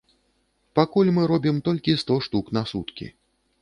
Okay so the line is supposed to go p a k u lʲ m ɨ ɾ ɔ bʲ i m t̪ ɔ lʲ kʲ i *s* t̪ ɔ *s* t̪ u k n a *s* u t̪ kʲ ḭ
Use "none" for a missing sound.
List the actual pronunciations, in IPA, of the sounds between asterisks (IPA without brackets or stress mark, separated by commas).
s, ʂ, s